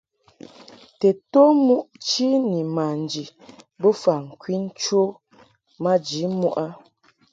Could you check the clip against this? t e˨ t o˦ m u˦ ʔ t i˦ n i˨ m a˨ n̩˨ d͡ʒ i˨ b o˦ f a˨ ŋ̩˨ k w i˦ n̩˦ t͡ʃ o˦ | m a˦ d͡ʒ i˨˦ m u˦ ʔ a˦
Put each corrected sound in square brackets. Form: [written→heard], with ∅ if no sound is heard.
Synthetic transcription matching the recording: t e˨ t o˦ m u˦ ʔ [t→t͡ʃ] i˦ n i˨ m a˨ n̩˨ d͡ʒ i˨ b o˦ f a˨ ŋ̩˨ k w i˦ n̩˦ t͡ʃ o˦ | m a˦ d͡ʒ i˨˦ m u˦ ʔ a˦